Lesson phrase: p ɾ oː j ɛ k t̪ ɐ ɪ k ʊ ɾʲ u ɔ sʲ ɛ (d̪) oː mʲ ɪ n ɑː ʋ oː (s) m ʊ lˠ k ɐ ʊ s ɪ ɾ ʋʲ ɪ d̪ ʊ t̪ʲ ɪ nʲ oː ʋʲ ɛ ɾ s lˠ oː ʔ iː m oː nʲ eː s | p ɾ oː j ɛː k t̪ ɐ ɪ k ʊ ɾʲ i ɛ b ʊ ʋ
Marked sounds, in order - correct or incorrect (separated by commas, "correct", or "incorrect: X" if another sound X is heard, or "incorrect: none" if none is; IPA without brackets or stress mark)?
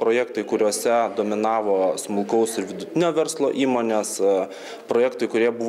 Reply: correct, correct